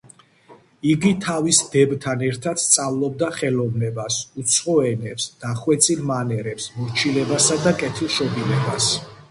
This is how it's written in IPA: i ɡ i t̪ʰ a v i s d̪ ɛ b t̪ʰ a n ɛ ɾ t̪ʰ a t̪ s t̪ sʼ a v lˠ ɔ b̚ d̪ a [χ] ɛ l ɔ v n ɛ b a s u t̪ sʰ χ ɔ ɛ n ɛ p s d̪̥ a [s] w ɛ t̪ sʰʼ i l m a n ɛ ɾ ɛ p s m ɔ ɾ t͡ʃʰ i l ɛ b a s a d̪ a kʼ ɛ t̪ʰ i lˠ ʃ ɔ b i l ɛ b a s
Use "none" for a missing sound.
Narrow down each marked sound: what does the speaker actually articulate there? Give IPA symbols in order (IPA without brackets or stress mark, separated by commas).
χ, χ